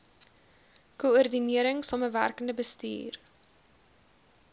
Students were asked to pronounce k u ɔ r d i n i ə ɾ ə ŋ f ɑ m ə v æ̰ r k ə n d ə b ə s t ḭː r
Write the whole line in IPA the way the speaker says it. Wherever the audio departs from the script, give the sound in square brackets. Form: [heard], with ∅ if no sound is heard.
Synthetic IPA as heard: k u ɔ r d i n i ə ɾ ə ŋ [s] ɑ m ə v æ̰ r k ə n d ə b ə s t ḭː r